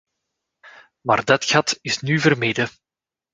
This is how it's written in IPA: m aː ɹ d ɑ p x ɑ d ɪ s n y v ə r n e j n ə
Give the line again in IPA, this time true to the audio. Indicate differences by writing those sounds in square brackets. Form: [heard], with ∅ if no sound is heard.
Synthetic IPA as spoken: m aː [r] d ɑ [t] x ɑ [t] ɪ s n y v ə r [m] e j [d] ə